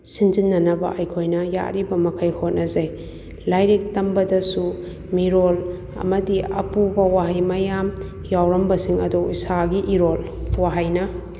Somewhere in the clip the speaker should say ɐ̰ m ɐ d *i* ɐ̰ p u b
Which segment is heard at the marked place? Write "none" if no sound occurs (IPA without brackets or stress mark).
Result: i